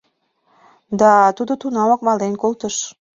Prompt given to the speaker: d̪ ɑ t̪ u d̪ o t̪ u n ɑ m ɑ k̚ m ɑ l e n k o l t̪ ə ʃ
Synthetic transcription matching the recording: d̪ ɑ t̪ u d̪ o t̪ u n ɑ m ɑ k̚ m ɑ l e n k o l t̪ ə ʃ

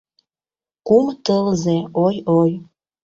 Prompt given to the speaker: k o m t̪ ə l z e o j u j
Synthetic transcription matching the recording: k u m t̪ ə l z e o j o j

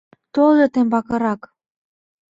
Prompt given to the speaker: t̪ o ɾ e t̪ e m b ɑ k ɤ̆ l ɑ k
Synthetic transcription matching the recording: t̪ o l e t̪ e m b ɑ k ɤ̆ ɾ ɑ k

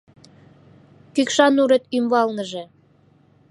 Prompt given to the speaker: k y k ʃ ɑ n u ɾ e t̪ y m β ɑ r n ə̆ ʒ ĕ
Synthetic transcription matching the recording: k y k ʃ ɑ n u ɾ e t̪ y m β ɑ l n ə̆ ʒ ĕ

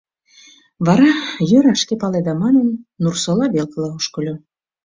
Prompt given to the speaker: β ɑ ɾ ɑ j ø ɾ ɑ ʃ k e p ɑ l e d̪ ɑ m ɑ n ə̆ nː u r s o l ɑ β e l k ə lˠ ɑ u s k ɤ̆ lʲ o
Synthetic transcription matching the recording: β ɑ ɾ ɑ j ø ɾ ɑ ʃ k e p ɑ l e d̪ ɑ m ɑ n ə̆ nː u r s o l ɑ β e l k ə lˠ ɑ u ʃ k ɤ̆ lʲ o

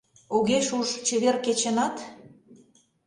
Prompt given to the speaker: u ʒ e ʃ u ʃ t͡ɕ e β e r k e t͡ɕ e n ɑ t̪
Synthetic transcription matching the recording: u ɣ e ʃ u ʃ t͡ɕ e β e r k e t͡ɕ e n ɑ t̪

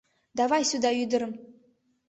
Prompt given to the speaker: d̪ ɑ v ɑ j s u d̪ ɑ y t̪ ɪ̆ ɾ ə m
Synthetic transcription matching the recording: d̪ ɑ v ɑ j s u d̪ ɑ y d̪ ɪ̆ ɾ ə m

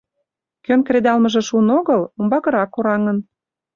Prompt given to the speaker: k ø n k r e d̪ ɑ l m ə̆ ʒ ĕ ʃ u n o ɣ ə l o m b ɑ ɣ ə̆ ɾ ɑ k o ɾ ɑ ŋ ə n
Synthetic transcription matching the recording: k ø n k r e d̪ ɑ l m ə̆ ʒ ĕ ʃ u n o ɣ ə l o m b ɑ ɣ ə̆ ɾ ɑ k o ɾ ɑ ŋ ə n

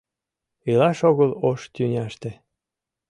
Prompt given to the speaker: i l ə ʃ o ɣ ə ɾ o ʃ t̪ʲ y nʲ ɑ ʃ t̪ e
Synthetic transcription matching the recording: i l ɑ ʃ o ɣ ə l o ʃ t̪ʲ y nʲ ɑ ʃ t̪ e

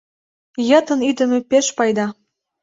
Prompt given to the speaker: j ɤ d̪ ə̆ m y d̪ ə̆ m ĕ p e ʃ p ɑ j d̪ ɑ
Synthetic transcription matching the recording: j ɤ t̪ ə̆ n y d̪ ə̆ m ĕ p e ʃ p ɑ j d̪ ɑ

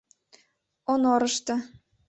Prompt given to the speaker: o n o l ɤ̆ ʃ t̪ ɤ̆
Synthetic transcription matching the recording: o n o ɾ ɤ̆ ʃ t̪ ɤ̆

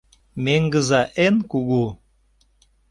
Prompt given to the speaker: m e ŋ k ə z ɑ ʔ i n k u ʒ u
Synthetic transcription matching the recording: m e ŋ ɡ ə z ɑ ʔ e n k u ɣ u

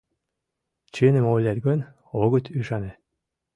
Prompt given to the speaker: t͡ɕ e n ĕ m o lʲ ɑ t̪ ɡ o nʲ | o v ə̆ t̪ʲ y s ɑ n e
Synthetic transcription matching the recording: t͡ɕ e n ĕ m o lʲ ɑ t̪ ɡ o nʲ | o ɣ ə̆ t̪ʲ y ʃ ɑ n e

